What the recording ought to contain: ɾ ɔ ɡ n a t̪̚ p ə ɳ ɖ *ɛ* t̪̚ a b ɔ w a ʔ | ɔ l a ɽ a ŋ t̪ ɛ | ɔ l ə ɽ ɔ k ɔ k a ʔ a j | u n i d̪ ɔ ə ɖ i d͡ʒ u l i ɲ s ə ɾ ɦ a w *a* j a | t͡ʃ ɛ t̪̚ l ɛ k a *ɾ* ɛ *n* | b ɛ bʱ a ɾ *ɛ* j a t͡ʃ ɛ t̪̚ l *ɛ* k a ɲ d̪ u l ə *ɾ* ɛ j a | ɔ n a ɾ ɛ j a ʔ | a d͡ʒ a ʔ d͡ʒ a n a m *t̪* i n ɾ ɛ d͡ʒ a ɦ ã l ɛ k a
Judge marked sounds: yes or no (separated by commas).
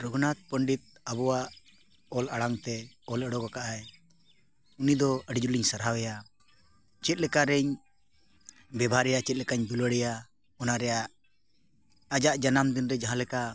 no, no, yes, no, yes, yes, no, no